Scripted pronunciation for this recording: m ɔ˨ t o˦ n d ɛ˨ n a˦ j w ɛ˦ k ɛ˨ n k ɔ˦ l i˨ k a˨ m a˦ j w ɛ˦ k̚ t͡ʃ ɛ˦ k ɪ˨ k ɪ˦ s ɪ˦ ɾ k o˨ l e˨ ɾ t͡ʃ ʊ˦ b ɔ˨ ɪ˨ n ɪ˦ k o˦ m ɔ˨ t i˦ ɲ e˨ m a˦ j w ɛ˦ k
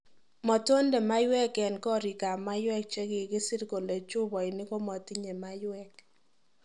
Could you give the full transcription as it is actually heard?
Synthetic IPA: m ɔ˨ t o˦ n d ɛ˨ m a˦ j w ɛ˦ k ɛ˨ n k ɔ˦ ɾ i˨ k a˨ m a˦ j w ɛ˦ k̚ t͡ʃ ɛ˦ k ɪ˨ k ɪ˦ s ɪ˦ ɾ k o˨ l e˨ t͡ʃ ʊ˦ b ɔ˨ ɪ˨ n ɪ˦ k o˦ m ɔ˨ t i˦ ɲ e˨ m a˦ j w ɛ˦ k